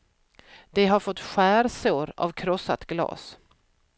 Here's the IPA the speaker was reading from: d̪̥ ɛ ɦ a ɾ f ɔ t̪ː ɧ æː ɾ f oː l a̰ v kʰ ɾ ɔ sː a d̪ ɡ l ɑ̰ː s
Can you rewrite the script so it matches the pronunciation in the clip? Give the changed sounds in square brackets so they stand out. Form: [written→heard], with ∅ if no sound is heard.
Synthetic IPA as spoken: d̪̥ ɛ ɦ a ɾ f ɔ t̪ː ɧ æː ɾ [f→s] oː [l→ɾ] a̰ v kʰ ɾ ɔ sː a [d̪→t̪] ɡ l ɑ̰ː s

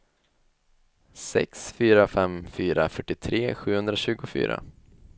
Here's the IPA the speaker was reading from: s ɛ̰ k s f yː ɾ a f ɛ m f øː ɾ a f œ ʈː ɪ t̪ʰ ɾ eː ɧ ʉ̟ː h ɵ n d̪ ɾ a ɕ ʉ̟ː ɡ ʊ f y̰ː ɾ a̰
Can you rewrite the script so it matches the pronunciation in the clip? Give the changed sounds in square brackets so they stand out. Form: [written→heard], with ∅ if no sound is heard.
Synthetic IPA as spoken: s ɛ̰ k s f yː ɾ a f ɛ m f [øː→yː] ɾ a f œ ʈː ɪ t̪ʰ ɾ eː ɧ ʉ̟ː h ɵ n d̪ ɾ a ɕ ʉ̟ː ɡ ʊ f y̰ː ɾ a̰

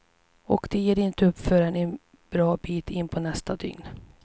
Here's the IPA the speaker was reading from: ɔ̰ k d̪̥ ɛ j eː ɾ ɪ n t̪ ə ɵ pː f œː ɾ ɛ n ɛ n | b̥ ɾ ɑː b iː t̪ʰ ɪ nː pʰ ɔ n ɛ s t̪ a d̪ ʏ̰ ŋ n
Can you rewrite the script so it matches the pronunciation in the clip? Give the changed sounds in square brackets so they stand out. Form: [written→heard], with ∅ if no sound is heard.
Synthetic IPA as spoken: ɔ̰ k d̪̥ ɛ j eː ɾ ɪ n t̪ ə ɵ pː f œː ɾ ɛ n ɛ n | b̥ ɾ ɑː b iː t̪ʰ ɪ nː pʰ ɔ n ɛ s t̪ a d̪ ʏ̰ ŋ n

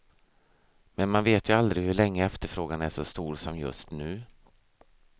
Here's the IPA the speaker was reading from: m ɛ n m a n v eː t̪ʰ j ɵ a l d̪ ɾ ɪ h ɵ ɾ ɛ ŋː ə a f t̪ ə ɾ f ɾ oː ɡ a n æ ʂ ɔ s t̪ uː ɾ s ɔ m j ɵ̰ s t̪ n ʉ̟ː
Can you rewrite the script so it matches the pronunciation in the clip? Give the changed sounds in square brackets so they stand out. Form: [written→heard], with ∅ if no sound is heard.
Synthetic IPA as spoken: m ɛ n m a n v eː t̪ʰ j ɵ a l d̪ ɾ ɪ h ɵ [ɾ→ɭ] ɛ ŋː ə [a→ɛ] f t̪ ə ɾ f ɾ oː ɡ a n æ ʂ ɔ s t̪ uː ɾ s ɔ m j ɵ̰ s t̪ n ʉ̟ː

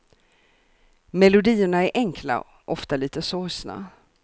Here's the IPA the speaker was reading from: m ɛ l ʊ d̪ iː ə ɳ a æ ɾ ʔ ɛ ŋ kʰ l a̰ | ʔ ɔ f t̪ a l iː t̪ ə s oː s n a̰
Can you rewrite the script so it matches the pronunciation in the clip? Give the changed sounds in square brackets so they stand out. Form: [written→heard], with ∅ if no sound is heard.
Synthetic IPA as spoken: m ɛ l ʊ d̪ iː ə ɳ a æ ɾ ʔ ɛ ŋ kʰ l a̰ | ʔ ɔ f t̪ a l iː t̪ ə s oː s n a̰

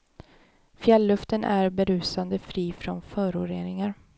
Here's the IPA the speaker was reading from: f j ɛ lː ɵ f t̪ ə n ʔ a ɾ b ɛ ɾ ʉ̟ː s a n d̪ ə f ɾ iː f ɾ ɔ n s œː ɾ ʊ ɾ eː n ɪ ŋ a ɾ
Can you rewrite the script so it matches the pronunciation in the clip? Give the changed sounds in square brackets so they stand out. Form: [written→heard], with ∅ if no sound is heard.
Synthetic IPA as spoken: f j ɛ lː ɵ f t̪ ə n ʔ [a→æ] ɾ b ɛ ɾ ʉ̟ː s a n d̪ ə f ɾ iː f ɾ ɔ n [s→f] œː ɾ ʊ ɾ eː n ɪ ŋ a ɾ

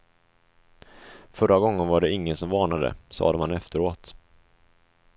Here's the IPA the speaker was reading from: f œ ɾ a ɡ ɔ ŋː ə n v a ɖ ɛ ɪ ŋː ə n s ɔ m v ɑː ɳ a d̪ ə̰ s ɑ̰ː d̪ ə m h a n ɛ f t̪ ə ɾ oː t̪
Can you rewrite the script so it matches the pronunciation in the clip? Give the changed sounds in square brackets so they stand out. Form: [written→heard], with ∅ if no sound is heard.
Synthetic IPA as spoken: f œ ɾ a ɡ ɔ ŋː ə n v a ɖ ɛ ɪ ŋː ə n s ɔ m v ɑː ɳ a d̪ ə̰ s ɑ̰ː d̪ ə m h a n ɛ f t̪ ə ɾ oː t̪

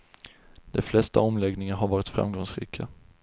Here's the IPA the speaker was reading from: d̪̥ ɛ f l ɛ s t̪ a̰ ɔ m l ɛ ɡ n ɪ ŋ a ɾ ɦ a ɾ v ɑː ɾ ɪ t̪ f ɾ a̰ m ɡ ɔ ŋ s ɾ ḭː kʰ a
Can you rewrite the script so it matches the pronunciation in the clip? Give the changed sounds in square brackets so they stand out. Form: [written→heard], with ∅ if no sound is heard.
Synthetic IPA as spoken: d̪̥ ɛ f l ɛ s t̪ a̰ ɔ m l ɛ ɡ n ɪ ŋ a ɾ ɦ a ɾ v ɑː ɾ ɪ t̪ f ɾ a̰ m ɡ ɔ ŋ s ɾ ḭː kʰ a

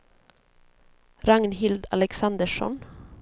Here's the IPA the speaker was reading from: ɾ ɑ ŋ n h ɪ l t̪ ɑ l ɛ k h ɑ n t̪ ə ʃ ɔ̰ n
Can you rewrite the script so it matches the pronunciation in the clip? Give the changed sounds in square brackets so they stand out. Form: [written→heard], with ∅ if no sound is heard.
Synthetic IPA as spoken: ɾ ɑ ŋ n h ɪ l [t̪→d̪] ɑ l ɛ k [h→s] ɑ n [t̪→d̪] ə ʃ ɔ̰ n

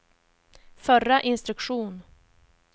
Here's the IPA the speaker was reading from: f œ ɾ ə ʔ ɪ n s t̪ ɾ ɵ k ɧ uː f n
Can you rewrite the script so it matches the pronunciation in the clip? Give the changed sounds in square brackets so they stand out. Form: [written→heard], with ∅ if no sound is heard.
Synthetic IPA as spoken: f œ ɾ [ə→a] ʔ ɪ n s t̪ ɾ ɵ k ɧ uː [f→∅] n

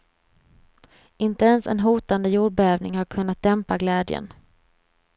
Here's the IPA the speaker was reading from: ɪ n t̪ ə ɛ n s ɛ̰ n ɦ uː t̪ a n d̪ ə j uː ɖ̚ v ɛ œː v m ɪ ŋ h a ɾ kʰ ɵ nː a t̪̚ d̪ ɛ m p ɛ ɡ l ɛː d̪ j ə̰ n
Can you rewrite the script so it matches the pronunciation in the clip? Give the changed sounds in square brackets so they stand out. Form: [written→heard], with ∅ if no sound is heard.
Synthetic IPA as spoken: ɪ n t̪ ə ɛ n s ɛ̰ n ɦ uː t̪ a n d̪ ə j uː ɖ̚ [v→b] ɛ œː v [m→n] ɪ ŋ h a ɾ kʰ ɵ nː a t̪̚ d̪ ɛ m p [ɛ→a] ɡ l ɛː d̪ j ə̰ n

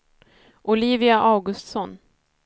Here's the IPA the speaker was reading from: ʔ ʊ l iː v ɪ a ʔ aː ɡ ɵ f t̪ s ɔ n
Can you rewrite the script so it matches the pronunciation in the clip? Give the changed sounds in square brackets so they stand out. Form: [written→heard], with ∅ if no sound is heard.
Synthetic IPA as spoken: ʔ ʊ l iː v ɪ a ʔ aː ɡ ɵ [f→s] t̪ s ɔ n

